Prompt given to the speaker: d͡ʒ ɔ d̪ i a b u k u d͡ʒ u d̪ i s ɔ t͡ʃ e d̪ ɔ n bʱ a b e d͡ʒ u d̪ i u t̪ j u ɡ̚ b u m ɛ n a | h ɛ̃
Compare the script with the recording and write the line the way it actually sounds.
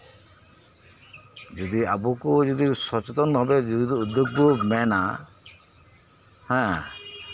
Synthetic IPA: d͡ʒ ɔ d̪ i a b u k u d͡ʒ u d̪ i s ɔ t͡ʃ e t̪ ɔ n bʱ a b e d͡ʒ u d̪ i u d̪ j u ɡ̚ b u m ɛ n a | h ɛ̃